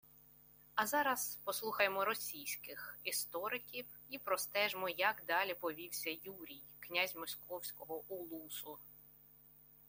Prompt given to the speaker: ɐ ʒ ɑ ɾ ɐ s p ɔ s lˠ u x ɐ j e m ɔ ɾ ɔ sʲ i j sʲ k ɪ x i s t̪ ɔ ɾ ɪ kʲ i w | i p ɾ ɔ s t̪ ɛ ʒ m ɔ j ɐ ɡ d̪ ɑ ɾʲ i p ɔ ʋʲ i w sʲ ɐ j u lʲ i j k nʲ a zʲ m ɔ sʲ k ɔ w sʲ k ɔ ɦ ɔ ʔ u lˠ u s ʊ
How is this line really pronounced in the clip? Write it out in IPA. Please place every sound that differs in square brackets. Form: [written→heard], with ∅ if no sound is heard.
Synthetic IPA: ɐ [ʒ→z] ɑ ɾ ɐ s p ɔ s lˠ u x ɐ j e m ɔ ɾ ɔ sʲ i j sʲ k ɪ x i s t̪ ɔ ɾ ɪ kʲ i w | i p ɾ ɔ s t̪ ɛ ʒ m ɔ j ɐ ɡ d̪ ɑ [ɾʲ→lʲ] i p ɔ ʋʲ i w sʲ ɐ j u [lʲ→ɾʲ] i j k nʲ a zʲ m ɔ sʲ k ɔ w sʲ k ɔ ɦ ɔ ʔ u lˠ u s ʊ